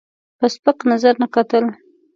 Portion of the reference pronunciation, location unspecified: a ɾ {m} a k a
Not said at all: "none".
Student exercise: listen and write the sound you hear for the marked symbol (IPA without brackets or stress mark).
n